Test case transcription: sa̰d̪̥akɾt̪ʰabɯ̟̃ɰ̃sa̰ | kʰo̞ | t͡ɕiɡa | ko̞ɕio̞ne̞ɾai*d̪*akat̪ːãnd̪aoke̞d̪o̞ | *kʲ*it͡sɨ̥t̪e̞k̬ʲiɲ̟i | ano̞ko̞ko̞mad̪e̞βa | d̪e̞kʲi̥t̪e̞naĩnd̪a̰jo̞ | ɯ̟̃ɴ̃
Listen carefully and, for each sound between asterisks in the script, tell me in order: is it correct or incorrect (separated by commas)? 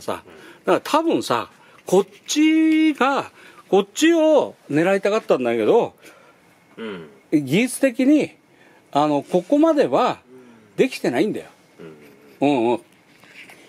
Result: incorrect, incorrect